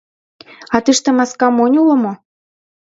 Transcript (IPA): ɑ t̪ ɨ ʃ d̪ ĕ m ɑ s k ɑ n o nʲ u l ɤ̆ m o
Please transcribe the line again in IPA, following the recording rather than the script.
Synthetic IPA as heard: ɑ t̪ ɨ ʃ t̪ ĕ m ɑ s k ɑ m o nʲ u l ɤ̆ m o